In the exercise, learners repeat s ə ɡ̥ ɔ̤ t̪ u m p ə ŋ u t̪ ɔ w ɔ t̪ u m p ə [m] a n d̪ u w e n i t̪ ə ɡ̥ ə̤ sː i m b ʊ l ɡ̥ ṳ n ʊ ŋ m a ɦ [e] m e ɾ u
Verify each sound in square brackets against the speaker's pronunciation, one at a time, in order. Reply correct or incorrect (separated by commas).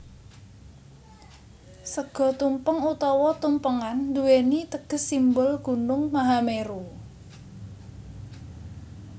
incorrect, incorrect